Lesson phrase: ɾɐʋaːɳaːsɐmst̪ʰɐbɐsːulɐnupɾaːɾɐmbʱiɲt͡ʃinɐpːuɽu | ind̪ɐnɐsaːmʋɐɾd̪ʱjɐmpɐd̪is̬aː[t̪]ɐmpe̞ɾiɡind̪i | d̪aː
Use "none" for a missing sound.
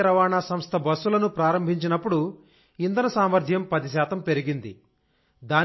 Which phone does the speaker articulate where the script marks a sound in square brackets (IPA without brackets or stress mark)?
t̪